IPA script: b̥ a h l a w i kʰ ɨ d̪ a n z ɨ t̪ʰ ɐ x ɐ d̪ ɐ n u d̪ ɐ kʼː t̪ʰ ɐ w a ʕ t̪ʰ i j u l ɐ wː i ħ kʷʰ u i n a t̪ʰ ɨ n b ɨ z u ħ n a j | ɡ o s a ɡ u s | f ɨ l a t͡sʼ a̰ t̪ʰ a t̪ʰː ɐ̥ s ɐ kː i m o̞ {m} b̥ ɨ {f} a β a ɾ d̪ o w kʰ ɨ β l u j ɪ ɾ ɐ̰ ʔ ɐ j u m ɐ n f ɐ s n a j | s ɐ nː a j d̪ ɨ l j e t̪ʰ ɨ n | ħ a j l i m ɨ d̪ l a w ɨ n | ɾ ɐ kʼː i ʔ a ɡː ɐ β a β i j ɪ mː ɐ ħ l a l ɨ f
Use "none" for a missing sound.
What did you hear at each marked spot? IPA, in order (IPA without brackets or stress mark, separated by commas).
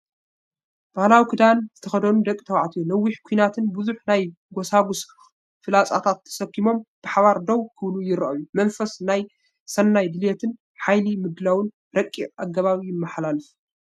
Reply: m, ħ